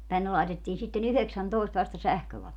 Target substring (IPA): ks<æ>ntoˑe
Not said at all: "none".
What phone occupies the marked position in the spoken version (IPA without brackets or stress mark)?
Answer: æ